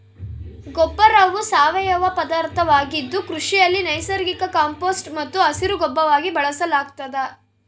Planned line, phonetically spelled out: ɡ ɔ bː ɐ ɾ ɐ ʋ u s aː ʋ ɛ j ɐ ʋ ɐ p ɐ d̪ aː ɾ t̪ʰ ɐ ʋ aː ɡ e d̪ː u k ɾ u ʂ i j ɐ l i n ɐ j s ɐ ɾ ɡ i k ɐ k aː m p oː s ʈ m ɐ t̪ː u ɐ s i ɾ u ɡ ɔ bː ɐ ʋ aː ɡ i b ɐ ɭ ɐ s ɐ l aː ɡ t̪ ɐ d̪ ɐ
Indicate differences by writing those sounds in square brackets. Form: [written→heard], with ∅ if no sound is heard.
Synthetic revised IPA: ɡ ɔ bː ɐ ɾ ɐ ʋ u s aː ʋ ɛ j ɐ ʋ ɐ p ɐ d̪ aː ɾ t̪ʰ ɐ ʋ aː ɡ [e→i] d̪ː u k ɾ u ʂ i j ɐ [l→lː] i n ɐ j s ɐ ɾ ɡ i k ɐ k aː m p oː s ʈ m ɐ t̪ː u ɐ s i ɾ u ɡ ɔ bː ɐ ʋ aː ɡ i b ɐ ɭ ɐ s ɐ l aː ɡ t̪ ɐ d̪ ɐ